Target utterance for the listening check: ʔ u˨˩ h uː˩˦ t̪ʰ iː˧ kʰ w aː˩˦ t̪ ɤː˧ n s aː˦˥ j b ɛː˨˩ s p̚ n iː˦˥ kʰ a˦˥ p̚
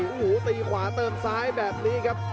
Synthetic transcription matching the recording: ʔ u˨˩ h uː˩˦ t̪ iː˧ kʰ w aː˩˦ t̪ ɤː˧ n s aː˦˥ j b ɛː˨˩ p̚ n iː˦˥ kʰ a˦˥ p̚